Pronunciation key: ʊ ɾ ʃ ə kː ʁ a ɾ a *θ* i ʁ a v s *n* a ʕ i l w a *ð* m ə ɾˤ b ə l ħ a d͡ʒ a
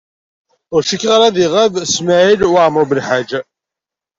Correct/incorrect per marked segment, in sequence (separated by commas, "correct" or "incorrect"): incorrect, incorrect, incorrect